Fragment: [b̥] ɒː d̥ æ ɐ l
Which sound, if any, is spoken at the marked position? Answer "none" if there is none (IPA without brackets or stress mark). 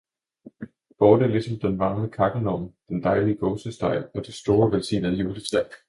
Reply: b̥